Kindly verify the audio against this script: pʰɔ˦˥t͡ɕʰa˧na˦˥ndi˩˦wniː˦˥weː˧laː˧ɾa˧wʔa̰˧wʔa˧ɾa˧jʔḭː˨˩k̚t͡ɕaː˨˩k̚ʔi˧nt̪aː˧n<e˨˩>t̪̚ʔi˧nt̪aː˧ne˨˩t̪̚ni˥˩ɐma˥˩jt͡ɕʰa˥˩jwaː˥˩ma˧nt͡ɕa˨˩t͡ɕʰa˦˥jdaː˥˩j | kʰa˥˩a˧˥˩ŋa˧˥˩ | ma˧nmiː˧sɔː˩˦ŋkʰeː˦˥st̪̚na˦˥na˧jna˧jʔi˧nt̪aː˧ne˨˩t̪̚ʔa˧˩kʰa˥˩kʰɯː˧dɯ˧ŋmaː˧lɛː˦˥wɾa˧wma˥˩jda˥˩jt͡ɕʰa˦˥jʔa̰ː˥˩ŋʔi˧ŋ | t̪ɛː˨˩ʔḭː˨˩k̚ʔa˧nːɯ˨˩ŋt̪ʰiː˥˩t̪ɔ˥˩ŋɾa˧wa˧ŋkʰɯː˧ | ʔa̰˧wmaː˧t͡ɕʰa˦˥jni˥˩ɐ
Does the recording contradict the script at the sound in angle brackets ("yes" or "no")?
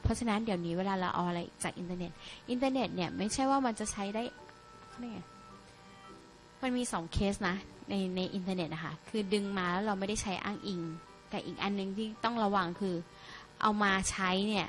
no